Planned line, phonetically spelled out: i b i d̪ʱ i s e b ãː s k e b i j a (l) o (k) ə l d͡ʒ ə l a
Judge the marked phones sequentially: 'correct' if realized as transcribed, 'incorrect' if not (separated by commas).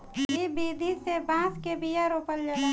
incorrect, incorrect